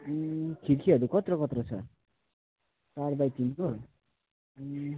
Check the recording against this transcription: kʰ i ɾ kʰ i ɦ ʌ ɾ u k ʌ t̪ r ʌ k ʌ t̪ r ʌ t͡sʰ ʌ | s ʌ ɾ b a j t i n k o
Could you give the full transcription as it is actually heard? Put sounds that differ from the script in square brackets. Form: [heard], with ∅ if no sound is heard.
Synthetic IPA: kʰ i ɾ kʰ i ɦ ʌ ɾ u k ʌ t̪ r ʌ k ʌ t̪ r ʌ t͡sʰ ʌ | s [a] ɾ b a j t i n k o